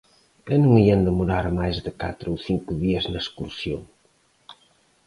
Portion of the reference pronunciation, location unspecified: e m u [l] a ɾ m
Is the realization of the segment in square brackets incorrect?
yes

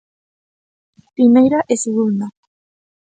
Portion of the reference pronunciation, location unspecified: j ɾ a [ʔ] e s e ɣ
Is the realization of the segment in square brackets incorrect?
no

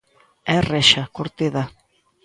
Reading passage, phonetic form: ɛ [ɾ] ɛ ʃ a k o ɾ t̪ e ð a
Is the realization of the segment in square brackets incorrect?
yes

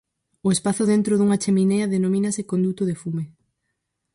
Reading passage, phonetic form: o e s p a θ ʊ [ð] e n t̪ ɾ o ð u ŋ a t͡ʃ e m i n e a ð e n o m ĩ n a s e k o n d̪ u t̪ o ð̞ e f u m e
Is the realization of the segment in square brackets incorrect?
no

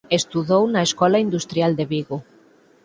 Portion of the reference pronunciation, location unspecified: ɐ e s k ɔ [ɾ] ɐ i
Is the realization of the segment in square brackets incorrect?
yes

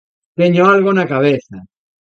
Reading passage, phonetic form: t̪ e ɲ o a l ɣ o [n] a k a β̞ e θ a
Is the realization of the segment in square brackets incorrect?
no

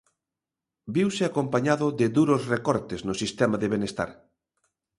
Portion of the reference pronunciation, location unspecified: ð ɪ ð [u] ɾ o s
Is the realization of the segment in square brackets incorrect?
no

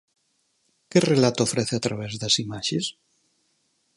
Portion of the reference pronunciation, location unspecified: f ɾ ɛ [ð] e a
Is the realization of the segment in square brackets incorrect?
yes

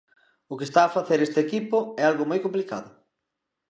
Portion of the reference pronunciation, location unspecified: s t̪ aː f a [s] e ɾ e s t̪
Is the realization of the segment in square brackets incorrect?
yes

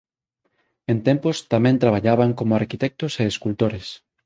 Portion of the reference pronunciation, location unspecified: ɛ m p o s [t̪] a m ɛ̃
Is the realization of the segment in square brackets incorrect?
no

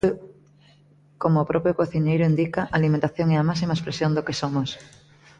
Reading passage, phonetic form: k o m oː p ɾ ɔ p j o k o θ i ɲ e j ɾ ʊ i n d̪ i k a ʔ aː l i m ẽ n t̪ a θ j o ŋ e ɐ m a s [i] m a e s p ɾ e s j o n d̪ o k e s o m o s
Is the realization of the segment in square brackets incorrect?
no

